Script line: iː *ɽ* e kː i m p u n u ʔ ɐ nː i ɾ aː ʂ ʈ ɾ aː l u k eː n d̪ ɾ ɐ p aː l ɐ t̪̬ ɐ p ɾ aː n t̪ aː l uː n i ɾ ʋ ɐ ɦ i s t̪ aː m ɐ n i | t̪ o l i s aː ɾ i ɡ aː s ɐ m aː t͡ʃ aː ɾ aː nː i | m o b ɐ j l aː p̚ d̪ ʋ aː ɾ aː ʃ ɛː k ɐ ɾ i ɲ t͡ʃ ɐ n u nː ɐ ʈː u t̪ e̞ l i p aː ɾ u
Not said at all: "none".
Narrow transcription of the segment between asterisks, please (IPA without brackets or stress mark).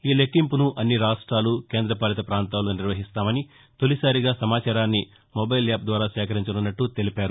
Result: l